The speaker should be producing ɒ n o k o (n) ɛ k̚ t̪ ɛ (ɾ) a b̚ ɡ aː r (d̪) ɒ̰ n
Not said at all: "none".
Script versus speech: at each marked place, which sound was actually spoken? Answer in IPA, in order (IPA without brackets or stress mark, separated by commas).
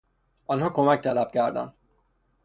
m, l, d̪